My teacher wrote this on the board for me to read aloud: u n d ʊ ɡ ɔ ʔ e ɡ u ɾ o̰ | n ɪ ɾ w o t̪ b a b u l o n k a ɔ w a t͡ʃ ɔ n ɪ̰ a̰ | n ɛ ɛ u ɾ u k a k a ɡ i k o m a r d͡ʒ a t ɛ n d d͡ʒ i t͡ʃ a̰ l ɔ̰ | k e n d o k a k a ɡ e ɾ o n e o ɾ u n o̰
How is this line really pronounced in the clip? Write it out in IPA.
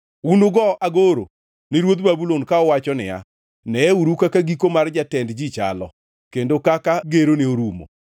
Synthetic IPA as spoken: u n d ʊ ɡ ɔ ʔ a ɡ o ɾ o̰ | n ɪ ɾ w o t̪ b a b u l o n k a ɔ w a t͡ʃ ɔ n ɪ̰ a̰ | n ɛ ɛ u ɾ u k a k a ɡ i k o m a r d͡ʒ a t ɛ n d d͡ʒ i t͡ʃ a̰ l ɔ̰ | k e n d o k a k a ɡ e ɾ o n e o ɾ u m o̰

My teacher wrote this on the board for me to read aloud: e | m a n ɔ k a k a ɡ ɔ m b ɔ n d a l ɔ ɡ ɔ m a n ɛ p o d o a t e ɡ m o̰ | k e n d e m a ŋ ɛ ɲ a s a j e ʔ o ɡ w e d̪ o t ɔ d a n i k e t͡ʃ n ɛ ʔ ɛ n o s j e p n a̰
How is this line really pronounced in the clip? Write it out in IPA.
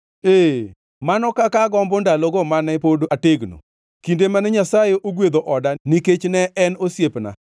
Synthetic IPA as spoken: e | m a n ɔ k a k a ɡ ɔ m b ɔ n d a l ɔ ɡ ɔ m a n ɛ p o d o a t e ɡ n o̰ | k i n d e m a n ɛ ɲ a s a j e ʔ o ɡ w e d̪ o ʔ ɔ d a n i k e t͡ʃ n ɛ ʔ ɛ n o s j e p n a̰

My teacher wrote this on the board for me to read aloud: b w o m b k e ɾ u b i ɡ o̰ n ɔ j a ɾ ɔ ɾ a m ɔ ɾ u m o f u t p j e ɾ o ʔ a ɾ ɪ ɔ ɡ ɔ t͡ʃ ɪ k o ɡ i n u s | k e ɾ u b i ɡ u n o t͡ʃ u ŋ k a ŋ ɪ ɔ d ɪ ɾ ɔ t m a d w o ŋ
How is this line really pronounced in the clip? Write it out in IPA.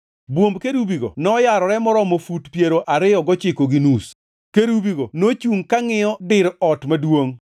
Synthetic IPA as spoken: b w o m b k e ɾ u b i ɡ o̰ n ɔ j a ɾ ɔ ɾ ɛ m ɔ ɾ ɔ m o f u t p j e ɾ o ʔ a ɾ ɪ ɔ ɡ ɔ t͡ʃ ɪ k o ɡ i n u s | k e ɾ u b i ɡ o n o t͡ʃ u ŋ k a ŋ ɪ ɔ d ɪ ɾ ɔ t m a d w o ŋ

